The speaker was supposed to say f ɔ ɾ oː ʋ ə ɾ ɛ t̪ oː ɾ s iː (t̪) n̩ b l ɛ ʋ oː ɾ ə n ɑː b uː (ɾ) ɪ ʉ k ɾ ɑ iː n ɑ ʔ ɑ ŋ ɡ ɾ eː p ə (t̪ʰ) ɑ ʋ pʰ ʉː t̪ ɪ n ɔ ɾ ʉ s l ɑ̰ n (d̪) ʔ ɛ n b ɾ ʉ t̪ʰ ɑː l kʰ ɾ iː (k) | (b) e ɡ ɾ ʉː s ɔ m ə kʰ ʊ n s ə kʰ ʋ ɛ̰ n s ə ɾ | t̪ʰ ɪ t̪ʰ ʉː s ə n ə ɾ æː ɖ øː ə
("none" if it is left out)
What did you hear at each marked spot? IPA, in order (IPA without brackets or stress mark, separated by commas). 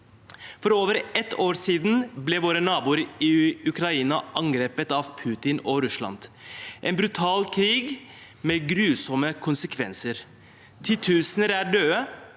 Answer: d̪, ɾ, t̪, d̪, ɡ, m